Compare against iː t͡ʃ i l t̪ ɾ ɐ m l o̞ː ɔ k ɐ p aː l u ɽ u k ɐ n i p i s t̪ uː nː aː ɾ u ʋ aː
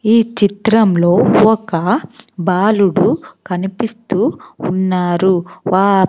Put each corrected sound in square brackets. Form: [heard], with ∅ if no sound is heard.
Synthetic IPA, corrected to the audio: iː t͡ʃ i [∅] t̪ ɾ ɐ m l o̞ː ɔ k ɐ [b] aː l u ɽ u k ɐ n i p i s t̪ uː nː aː ɾ u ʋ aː